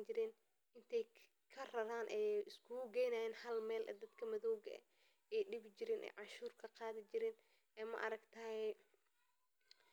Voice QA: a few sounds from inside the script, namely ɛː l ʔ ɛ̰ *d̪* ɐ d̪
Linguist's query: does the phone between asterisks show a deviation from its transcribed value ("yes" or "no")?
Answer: no